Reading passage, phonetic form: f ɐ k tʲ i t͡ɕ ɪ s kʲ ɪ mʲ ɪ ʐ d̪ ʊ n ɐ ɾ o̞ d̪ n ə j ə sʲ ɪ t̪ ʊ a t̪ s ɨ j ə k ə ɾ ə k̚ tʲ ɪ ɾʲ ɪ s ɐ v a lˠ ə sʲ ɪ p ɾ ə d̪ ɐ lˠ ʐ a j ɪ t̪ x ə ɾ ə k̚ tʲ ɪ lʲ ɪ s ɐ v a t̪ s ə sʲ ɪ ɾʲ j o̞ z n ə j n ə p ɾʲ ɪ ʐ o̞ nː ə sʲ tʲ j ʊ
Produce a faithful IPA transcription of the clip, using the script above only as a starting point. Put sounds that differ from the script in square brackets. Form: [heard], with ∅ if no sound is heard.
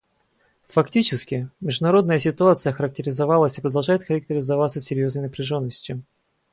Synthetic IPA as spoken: f ɐ k tʲ i t͡ɕ ɪ s kʲ ɪ mʲ ɪ ʐ d̪ ʊ n ɐ ɾ o̞ d̪ n ə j ə sʲ ɪ t̪ ʊ a t̪ s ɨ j ə [x] ə ɾ ə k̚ tʲ ɪ ɾʲ ɪ [z] ɐ v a lˠ ə sʲ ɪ p ɾ ə d̪ ɐ lˠ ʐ a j ɪ t̪ x ə ɾ ə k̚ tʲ ɪ [ɾʲ] ɪ [z] ɐ v a t̪ s ə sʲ ɪ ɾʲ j o̞ z n ə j n ə p ɾʲ ɪ ʐ o̞ nː ə sʲ tʲ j ʊ